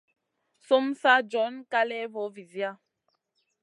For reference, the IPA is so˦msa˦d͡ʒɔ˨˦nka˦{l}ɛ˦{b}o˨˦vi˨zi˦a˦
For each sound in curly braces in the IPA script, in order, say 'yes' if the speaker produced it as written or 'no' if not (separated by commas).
yes, no